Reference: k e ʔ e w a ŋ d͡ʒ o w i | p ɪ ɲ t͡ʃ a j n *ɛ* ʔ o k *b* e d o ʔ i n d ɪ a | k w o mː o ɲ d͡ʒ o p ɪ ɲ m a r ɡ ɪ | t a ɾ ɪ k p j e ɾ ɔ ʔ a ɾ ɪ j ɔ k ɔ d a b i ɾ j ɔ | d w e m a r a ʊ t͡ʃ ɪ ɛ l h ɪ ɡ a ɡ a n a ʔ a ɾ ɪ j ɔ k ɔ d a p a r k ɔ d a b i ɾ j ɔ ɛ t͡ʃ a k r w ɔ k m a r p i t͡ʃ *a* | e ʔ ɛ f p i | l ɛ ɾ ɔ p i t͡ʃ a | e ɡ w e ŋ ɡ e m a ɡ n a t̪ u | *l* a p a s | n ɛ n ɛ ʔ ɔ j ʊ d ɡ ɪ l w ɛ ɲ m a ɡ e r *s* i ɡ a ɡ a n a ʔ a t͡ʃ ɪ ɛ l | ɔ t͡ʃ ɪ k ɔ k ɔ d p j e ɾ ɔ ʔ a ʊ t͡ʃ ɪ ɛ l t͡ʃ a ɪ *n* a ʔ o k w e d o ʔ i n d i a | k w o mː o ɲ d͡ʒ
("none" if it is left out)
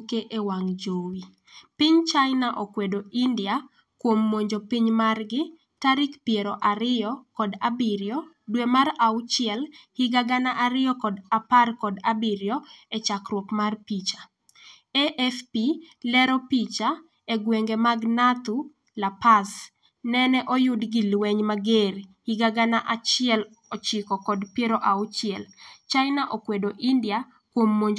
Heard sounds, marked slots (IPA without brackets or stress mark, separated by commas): a, w, a, l, h, n